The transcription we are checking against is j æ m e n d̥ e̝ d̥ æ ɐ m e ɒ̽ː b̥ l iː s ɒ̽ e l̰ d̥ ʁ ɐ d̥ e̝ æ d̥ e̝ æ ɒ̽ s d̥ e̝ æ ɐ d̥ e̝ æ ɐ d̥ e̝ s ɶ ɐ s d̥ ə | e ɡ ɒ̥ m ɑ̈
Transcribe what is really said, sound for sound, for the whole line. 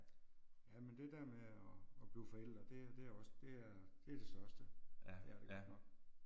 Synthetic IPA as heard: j æ m e n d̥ e̝ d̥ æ ɐ m e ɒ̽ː b̥ l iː f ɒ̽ e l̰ d̥ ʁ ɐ d̥ e̝ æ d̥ e̝ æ ɒ̽ s d̥ e̝ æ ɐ d̥ e̝ æ ɐ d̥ e̝ s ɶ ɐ s d̥ ə | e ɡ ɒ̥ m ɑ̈